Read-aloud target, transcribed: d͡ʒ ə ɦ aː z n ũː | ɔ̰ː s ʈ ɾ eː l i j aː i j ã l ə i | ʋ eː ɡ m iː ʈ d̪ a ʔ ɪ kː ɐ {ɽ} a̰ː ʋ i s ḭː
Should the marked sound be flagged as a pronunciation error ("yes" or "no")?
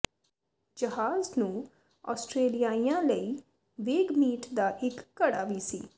no